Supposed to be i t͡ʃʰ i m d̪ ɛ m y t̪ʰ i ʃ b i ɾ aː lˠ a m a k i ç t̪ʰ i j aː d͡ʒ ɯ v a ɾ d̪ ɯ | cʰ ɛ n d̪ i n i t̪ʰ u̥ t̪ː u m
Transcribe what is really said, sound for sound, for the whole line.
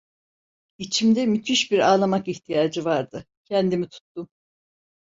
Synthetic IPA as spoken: i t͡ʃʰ i m d̪ ɛ m y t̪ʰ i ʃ b i ɾ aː lˠ a m a k i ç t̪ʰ i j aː d͡ʒ ɯ v a ɾ d̪ ɯ | cʰ ɛ n d̪ i m i t̪ʰ u̥ t̪ː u m